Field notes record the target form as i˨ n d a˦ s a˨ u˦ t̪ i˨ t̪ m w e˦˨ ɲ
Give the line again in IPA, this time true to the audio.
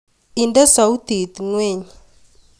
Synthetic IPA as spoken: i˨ n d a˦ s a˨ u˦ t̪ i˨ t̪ ŋ w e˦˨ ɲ